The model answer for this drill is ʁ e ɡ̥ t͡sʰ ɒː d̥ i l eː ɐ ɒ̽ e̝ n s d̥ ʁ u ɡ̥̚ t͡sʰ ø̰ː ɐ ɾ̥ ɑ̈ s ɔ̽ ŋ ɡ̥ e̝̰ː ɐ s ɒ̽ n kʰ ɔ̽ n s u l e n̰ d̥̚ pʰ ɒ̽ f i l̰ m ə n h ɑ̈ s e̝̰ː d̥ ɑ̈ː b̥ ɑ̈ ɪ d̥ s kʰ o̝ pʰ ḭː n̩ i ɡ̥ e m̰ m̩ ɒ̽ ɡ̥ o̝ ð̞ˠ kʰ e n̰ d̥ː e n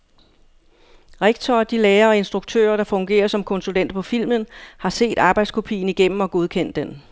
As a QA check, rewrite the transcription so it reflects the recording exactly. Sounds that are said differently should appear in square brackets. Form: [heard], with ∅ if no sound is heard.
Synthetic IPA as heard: ʁ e ɡ̥ t͡sʰ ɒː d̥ i l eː ɐ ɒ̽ e̝ n s d̥ ʁ u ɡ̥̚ t͡sʰ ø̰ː ɐ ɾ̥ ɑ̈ [f] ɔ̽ ŋ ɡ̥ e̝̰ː ɐ s ɒ̽ [m] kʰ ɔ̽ n s u l e n̰ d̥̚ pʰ ɒ̽ f i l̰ m ə n h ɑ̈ s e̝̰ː d̥ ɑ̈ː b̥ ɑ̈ ɪ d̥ s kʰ o̝ pʰ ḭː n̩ i ɡ̥ e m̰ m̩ ɒ̽ ɡ̥ o̝ ð̞ˠ kʰ e n̰ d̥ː e n